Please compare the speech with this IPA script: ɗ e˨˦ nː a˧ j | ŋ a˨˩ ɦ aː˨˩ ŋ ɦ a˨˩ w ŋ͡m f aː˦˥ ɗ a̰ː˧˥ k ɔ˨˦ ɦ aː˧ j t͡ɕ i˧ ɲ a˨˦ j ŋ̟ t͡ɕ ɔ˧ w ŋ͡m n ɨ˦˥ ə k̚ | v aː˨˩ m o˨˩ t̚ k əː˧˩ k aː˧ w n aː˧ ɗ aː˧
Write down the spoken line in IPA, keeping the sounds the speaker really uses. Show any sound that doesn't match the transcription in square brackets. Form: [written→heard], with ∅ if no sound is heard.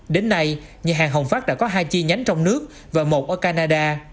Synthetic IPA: ɗ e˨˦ nː a˧ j | [ŋ→ɲ] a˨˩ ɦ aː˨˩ ŋ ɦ [a˨˩→ə˨˩] w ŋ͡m f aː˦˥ ɗ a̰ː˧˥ k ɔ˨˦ ɦ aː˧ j t͡ɕ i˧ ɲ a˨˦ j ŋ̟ t͡ɕ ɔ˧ w ŋ͡m n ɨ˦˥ ə k̚ | v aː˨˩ m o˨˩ t̚ [k→ʔ] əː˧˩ k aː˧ [w→∅] n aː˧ ɗ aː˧